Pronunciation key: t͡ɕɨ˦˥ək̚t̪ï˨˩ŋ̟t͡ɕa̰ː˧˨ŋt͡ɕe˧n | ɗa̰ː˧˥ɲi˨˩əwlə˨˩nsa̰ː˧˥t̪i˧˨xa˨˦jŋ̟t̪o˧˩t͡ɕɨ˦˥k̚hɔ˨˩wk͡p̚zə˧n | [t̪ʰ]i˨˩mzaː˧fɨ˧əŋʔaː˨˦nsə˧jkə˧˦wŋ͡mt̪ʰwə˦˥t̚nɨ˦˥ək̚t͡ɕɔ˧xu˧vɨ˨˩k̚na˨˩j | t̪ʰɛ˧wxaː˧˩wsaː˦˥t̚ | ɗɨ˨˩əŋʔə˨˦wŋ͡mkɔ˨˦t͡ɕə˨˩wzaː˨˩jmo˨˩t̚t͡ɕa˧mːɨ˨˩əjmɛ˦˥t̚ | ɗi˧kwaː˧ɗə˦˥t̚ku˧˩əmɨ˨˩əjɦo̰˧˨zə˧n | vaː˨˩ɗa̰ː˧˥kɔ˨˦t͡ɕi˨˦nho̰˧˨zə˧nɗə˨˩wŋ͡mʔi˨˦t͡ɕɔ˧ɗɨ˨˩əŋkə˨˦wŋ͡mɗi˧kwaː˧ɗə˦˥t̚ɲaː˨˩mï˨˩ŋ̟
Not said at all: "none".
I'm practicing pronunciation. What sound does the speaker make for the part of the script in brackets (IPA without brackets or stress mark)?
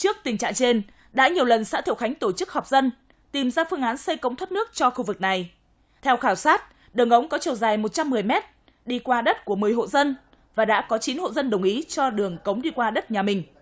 t̪